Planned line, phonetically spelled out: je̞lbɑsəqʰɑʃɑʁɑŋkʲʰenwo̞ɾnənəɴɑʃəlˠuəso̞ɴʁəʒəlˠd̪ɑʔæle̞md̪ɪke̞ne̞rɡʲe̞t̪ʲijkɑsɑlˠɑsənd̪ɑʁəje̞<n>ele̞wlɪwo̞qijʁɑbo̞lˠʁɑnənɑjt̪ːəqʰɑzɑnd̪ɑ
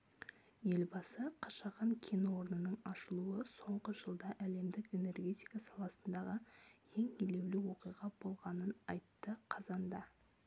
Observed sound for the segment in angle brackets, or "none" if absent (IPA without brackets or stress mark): ŋ